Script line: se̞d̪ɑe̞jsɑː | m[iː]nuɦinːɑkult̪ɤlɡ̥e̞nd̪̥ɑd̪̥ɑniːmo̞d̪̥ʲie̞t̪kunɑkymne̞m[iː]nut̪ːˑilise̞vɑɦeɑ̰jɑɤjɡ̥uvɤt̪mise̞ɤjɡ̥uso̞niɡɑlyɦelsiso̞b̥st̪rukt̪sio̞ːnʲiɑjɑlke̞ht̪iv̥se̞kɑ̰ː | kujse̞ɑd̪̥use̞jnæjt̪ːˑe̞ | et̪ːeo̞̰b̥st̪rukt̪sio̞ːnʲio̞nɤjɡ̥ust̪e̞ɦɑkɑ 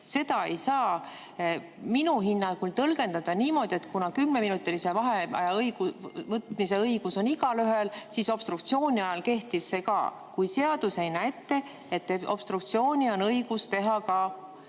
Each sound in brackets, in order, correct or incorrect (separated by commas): incorrect, incorrect